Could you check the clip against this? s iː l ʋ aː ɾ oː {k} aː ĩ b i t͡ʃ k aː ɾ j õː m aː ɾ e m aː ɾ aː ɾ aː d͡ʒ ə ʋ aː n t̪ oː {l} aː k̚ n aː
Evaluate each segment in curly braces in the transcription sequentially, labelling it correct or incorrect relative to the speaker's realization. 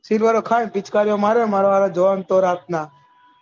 incorrect, incorrect

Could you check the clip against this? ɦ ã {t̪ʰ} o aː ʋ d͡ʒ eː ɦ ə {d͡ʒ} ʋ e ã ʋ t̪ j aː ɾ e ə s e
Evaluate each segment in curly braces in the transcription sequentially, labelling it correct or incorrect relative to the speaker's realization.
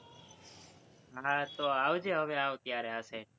incorrect, incorrect

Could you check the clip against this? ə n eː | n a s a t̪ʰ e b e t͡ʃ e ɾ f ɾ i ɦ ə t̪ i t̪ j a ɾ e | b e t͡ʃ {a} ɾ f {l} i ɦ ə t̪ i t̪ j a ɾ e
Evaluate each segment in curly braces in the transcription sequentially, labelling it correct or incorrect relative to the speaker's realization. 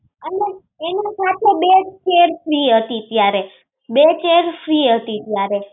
incorrect, incorrect

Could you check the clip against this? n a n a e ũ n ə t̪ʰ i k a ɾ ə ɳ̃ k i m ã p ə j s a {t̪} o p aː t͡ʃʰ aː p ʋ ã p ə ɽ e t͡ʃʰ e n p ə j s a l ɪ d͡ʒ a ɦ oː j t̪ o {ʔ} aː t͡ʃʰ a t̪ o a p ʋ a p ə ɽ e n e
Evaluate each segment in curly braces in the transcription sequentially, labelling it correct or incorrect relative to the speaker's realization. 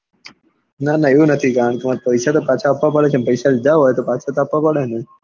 correct, incorrect

